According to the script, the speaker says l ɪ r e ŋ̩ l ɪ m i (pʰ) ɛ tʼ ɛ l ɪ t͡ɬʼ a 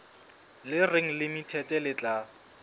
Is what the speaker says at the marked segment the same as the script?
no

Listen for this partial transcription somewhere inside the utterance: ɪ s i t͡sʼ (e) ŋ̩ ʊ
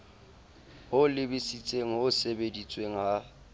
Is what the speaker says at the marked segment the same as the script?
yes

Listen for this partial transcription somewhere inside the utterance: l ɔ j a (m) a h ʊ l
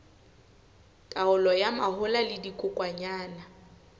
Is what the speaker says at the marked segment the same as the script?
yes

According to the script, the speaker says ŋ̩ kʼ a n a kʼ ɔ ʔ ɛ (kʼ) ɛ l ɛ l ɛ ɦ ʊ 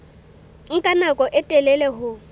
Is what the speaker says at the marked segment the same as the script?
no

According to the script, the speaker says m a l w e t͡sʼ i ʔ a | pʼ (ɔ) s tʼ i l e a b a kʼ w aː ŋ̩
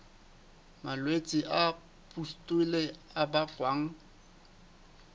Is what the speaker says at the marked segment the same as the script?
no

